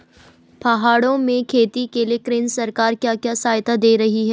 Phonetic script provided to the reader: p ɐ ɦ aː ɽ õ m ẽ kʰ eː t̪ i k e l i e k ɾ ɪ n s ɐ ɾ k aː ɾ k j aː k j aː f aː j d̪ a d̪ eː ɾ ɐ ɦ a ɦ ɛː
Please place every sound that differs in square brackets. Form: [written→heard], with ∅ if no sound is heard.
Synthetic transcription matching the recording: p ɐ ɦ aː ɽ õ m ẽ kʰ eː t̪ i k e l i e k ɾ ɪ n s ɐ ɾ k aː ɾ k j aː k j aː [f→s] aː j [d̪→t̪] a d̪ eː ɾ ɐ ɦ [a→i] ɦ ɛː